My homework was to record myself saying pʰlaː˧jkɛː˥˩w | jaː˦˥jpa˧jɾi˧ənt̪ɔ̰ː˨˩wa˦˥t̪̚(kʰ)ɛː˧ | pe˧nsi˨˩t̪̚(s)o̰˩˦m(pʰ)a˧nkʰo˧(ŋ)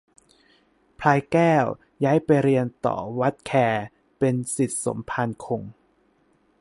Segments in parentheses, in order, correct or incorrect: correct, correct, correct, correct

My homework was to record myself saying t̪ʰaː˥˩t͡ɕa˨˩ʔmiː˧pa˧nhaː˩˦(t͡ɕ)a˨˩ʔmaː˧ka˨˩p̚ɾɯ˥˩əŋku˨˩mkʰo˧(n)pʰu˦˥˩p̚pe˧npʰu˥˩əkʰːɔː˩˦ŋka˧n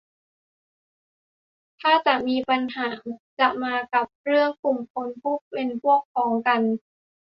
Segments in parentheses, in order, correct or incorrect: correct, correct

